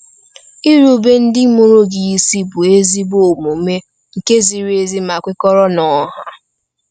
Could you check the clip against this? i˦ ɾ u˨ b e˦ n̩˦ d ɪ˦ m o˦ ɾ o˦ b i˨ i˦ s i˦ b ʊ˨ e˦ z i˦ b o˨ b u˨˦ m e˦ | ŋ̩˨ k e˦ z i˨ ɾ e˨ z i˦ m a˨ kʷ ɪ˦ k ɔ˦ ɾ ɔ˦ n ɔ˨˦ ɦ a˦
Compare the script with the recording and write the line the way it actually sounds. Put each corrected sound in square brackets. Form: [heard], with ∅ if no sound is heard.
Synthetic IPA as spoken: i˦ ɾ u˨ b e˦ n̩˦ d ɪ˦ m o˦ ɾ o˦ [ɡ] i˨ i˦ s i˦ b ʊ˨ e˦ z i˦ b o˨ [m] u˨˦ m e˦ | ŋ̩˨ k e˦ z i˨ ɾ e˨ z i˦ m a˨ kʷ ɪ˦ k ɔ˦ ɾ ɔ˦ n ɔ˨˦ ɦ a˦